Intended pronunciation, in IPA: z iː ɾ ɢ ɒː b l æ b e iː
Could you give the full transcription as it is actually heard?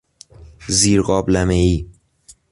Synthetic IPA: z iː ɾ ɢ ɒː b l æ m e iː